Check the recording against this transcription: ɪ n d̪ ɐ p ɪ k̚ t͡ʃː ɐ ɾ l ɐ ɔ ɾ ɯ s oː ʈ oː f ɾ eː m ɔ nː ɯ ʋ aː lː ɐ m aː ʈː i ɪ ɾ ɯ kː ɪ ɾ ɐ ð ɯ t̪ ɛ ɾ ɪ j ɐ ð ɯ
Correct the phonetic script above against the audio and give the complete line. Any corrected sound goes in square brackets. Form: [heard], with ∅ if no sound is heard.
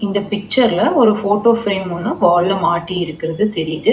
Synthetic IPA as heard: ɪ n d̪ ɐ p ɪ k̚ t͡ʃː ɐ ɾ l ɐ ɔ ɾ ɯ [f] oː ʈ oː f ɾ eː m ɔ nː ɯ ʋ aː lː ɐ m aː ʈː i ɪ ɾ ɯ kː ɪ ɾ ɐ ð ɯ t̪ ɛ ɾ ɪ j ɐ ð ɯ